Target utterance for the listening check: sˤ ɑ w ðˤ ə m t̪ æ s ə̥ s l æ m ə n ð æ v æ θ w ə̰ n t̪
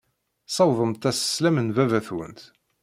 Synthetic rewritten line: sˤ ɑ w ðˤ ə m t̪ æ s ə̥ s l æ m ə n v æ v æ θ w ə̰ n t̪